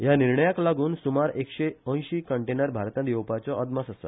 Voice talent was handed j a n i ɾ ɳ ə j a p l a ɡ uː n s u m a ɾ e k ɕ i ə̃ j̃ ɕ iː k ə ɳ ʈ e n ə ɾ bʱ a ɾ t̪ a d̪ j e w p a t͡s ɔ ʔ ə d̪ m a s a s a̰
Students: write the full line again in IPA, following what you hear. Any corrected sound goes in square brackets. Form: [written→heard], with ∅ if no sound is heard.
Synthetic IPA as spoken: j a n i ɾ ɳ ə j a [p→k] l a ɡ uː n s u m a ɾ e k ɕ [i→e] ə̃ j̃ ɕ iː k ə ɳ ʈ e n ə ɾ bʱ a ɾ t̪ a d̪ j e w p a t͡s ɔ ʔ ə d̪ m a s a s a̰